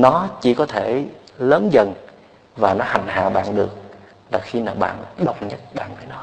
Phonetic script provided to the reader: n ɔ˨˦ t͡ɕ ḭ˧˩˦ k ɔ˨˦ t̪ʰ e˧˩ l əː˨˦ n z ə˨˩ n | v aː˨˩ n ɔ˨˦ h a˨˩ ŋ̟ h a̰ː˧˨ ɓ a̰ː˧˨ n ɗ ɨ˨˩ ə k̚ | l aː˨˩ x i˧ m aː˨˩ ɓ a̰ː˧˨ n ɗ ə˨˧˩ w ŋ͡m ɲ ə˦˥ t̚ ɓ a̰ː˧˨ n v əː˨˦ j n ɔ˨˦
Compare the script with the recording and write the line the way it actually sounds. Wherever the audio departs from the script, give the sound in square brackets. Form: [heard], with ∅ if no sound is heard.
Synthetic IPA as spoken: n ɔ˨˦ t͡ɕ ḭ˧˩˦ k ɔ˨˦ t̪ʰ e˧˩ l əː˨˦ n z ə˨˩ n | v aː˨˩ n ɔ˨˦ h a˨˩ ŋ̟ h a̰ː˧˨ ɓ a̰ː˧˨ n ɗ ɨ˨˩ ə k̚ | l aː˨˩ x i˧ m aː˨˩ ɓ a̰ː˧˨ n ɗ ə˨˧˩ w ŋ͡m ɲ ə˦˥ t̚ ɓ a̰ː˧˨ n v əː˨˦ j n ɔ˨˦